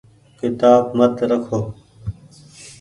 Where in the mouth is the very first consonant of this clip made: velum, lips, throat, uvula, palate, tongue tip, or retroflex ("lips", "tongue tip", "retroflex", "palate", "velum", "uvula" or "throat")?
velum